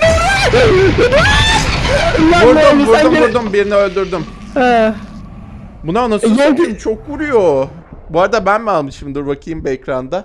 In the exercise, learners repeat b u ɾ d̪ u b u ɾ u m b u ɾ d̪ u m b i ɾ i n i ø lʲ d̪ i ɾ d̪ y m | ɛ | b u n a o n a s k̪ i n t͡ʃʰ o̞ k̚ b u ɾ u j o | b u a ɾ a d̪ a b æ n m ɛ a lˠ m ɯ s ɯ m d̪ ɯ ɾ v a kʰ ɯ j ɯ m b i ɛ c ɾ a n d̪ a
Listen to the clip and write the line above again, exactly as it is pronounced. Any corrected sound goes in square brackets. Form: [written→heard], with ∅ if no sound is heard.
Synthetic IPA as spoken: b u ɾ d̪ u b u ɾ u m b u ɾ d̪ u m b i ɾ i n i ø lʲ d̪ [i→y] ɾ d̪ y m | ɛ | b u n a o n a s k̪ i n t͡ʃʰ o̞ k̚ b u ɾ u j o | b u a ɾ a d̪ a b æ n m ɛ a lˠ m ɯ [s→ʃ] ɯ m d̪ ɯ ɾ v a kʰ ɯ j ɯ m b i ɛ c ɾ a n d̪ a